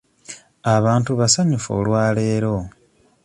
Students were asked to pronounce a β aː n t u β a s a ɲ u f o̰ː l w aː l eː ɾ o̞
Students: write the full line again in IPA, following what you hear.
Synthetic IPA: a β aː n t u β a s a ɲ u f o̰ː l w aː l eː ɾ o̞